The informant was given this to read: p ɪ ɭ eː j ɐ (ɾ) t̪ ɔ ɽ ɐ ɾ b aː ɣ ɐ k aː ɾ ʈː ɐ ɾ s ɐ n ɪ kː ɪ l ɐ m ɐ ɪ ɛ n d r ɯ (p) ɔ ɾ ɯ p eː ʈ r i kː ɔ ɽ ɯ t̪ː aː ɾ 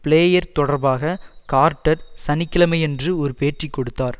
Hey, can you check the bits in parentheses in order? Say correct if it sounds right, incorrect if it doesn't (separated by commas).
correct, incorrect